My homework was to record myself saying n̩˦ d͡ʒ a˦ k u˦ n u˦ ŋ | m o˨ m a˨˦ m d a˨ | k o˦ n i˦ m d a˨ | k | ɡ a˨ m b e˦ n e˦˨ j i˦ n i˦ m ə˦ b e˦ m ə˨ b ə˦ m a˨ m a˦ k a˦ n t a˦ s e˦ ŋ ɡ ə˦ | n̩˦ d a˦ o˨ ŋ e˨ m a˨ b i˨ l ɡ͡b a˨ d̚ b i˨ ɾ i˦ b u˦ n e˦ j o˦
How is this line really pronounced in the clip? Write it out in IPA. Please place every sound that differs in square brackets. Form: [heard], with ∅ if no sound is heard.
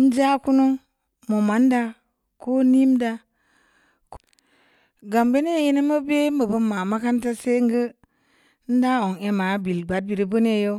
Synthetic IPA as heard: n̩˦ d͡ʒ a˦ k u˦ n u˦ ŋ | m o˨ m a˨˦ [n] d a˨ | k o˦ n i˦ m d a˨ | k | ɡ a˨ m b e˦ n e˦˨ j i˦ n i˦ m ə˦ b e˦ m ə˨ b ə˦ m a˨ m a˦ k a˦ n t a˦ s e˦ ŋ ɡ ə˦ | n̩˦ d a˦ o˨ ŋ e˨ m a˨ b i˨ l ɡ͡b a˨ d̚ b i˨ ɾ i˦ b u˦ n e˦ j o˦

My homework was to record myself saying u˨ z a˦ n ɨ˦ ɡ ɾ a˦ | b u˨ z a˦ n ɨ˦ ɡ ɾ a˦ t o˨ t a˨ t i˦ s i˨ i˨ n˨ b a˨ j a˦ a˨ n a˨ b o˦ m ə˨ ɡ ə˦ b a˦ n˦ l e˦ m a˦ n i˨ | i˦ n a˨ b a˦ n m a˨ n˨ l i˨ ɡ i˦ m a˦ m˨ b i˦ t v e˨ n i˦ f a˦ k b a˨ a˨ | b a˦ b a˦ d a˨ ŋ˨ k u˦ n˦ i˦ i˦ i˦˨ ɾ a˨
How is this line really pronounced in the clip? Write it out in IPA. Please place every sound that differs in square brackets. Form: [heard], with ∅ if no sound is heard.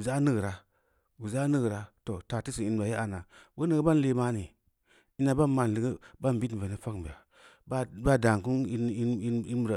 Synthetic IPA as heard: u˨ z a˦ n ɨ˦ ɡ ɾ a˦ | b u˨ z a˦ n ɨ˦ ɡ ɾ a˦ t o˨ t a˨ t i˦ s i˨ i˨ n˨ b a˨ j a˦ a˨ n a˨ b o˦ [n] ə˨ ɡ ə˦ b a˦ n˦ l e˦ m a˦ n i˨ | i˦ n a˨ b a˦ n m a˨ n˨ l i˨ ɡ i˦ [b] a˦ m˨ b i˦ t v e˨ n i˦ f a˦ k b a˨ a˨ | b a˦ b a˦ d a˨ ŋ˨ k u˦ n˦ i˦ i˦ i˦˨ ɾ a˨

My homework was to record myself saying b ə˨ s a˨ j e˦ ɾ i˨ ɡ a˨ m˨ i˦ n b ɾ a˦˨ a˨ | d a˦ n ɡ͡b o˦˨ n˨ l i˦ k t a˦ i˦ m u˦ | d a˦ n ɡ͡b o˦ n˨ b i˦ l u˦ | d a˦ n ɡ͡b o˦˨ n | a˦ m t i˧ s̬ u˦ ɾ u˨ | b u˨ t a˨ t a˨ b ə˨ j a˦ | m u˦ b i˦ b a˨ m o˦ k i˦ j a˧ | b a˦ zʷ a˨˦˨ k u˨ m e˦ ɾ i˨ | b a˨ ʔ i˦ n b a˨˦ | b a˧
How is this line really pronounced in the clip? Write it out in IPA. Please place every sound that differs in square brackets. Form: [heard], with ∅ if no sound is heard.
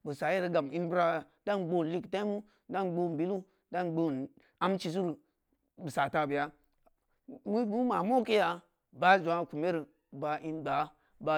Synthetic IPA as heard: b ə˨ s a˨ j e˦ ɾ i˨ ɡ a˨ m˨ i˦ n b ɾ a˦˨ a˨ | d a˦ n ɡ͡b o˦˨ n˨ l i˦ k t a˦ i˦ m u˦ | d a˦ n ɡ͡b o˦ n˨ b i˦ l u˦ | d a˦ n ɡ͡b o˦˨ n | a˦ m [t͡ʃ] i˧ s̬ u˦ ɾ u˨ | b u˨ [s] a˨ t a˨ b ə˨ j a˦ | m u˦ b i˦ [m] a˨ m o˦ k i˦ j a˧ | b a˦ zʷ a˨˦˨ k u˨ m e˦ ɾ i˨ | b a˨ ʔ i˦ n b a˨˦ | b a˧

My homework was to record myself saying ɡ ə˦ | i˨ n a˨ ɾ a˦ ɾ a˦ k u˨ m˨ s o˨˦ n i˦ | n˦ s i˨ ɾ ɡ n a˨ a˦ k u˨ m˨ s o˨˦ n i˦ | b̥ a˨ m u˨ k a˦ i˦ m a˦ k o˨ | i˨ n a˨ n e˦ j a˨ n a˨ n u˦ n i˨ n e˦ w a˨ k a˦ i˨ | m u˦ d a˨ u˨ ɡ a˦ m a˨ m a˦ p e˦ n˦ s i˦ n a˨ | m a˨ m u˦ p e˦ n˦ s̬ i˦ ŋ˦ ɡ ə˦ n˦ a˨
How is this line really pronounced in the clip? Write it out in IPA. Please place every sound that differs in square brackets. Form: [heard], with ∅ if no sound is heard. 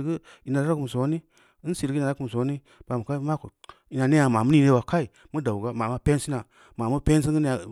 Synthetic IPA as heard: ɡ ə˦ | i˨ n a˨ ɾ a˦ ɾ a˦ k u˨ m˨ s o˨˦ n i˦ | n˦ s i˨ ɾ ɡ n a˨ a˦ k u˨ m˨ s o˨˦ n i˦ | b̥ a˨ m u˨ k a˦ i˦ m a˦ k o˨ | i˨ n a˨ n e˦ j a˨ [m] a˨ [m] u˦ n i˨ n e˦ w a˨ k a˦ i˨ | m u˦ d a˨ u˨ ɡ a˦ m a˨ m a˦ p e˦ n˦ s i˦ n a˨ | m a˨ m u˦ p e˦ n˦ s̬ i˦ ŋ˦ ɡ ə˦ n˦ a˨

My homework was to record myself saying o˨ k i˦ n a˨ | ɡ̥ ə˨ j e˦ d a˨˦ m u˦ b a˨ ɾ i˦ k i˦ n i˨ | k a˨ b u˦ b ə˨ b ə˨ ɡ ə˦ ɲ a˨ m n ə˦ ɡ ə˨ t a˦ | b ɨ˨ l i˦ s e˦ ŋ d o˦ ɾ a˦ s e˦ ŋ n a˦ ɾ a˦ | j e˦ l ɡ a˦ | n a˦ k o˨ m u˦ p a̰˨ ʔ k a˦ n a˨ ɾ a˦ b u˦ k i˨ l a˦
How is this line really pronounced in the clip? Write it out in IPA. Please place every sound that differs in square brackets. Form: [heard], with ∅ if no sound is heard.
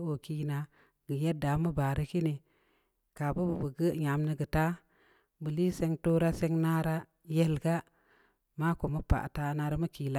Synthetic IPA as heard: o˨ k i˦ n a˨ | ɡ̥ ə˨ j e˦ d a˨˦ m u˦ b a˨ ɾ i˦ k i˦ n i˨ | k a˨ b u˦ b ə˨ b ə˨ ɡ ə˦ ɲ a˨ m n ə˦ ɡ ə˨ t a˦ | b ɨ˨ l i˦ s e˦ ŋ [t] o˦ ɾ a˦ s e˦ ŋ n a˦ ɾ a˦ | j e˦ l ɡ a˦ | [m] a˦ k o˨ m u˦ p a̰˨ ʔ [t] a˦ n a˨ ɾ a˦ [m] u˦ k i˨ l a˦

